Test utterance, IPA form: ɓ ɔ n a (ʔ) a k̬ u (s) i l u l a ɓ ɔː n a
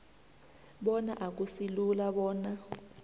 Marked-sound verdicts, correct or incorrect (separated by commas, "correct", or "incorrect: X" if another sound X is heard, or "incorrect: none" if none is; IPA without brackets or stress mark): correct, correct